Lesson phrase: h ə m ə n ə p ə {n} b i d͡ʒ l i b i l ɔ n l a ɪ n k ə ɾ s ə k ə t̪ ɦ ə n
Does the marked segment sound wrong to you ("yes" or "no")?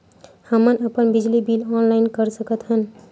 no